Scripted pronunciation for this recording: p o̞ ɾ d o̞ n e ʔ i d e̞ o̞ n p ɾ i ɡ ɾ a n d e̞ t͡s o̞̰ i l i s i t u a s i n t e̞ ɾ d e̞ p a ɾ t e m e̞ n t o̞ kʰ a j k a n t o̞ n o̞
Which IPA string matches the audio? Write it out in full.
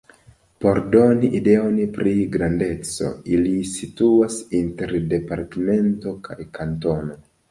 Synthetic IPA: p o̞ ɾ d o̞ n i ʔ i d e̞ o̞ n p ɾ i ɡ ɾ a n d e̞ t͡s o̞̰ i l i s i t u a s i n t e̞ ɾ d e̞ p a ɾ t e m e̞ n t o̞ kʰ a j k a n t o̞ n o̞